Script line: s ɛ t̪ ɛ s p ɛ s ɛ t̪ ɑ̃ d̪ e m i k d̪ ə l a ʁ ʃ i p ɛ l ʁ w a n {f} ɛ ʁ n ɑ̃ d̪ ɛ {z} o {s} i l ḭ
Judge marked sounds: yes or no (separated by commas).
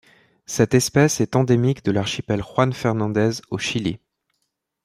yes, yes, no